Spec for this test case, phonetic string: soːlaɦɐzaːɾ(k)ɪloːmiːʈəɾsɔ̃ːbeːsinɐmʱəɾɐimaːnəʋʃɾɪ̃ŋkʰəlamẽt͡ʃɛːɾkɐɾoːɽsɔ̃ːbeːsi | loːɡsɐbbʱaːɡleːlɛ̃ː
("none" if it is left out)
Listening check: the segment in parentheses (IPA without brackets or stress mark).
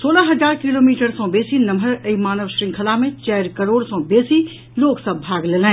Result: k